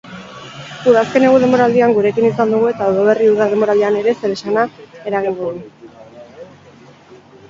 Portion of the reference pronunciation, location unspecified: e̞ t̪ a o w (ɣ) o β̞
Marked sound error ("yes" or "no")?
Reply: yes